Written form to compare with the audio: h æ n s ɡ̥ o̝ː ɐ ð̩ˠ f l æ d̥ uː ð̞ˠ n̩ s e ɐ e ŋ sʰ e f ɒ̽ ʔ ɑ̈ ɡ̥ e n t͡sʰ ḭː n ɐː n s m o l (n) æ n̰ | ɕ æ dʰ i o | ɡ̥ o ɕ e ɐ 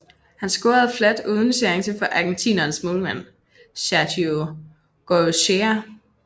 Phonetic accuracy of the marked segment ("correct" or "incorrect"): incorrect